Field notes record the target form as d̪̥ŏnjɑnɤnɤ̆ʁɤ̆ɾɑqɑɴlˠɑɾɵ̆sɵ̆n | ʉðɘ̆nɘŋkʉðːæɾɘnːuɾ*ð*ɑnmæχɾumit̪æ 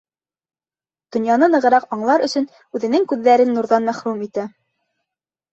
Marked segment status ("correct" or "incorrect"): correct